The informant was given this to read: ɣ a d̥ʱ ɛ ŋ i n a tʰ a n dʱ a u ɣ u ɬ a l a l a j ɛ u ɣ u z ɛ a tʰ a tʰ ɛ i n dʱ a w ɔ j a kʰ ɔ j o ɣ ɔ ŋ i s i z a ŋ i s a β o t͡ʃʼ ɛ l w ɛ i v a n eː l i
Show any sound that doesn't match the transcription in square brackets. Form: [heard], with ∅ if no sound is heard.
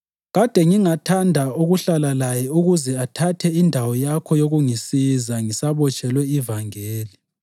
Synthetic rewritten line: ɣ a d̥ʱ ɛ ŋ i [ŋ] a tʰ a n dʱ a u ɣ u ɬ a l a l a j ɛ u ɣ u z ɛ a tʰ a tʰ ɛ i n dʱ a w ɔ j a kʰ ɔ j o ɣ [u] ŋ i s i z a ŋ i s a β [ɔ] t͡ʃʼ ɛ l w ɛ i v a [ŋ] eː l i